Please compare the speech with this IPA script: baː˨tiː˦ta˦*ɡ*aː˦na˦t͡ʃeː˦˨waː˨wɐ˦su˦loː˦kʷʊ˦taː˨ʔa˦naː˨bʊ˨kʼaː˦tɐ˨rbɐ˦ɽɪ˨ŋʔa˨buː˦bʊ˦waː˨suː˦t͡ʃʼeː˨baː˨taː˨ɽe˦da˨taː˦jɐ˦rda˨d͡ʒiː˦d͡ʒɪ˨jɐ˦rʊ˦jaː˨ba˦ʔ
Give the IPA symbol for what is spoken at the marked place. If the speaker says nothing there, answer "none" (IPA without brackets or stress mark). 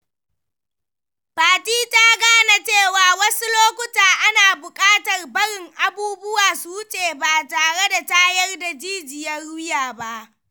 ɡ